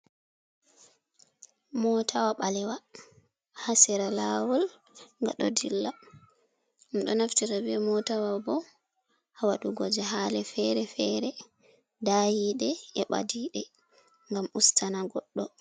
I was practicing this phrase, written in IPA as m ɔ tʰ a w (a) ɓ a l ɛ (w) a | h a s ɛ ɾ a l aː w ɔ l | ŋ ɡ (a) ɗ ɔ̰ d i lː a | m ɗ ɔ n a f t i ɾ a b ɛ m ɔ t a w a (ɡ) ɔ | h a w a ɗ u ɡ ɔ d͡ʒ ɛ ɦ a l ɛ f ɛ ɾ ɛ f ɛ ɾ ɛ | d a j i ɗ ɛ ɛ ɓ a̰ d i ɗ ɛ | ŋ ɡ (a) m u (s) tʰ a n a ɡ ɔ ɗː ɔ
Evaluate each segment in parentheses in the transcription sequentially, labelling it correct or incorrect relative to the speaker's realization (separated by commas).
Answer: correct, correct, correct, incorrect, correct, correct